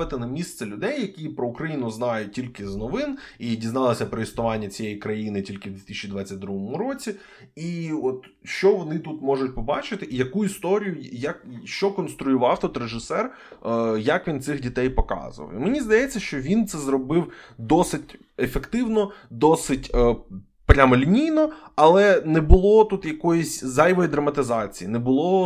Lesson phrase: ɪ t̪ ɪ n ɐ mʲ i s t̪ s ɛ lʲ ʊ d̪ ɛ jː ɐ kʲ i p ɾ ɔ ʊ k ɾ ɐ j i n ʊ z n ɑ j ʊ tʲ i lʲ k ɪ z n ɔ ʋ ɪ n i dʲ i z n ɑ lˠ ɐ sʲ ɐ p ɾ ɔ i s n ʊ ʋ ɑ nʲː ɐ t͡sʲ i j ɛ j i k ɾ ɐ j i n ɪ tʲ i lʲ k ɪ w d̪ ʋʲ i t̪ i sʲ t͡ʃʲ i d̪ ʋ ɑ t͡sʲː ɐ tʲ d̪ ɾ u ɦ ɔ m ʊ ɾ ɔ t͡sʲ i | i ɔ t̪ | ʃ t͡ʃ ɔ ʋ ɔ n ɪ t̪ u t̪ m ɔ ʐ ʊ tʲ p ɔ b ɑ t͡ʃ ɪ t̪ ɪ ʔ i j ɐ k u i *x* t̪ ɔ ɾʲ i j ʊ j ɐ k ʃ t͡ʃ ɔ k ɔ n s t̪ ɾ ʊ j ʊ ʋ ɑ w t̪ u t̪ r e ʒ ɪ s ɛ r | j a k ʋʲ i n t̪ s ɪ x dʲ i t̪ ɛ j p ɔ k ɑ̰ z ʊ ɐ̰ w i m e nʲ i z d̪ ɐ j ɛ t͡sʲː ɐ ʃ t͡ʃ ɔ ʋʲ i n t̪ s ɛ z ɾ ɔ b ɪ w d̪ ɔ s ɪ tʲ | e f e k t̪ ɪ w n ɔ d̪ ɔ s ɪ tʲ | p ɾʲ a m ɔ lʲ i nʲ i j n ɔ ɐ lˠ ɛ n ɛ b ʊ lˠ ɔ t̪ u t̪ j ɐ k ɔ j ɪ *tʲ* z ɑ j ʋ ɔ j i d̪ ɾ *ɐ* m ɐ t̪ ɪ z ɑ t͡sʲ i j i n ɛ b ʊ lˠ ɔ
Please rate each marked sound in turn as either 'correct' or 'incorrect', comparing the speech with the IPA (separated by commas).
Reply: incorrect, incorrect, correct